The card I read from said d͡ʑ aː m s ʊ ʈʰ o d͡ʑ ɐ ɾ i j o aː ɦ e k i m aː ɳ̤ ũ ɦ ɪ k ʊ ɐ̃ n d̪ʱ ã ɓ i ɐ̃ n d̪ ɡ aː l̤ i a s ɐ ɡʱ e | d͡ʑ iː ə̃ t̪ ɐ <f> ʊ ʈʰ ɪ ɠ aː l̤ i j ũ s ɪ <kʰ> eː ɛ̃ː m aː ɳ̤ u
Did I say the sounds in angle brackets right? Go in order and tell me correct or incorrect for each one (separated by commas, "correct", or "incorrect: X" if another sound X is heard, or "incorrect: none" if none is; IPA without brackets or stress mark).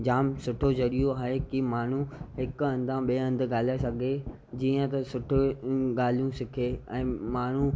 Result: incorrect: s, correct